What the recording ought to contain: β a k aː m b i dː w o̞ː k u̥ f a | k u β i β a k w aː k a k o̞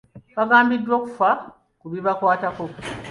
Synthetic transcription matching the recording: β a ɡ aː m b i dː w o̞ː k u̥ f a | k u β i β a k w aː t a k o̞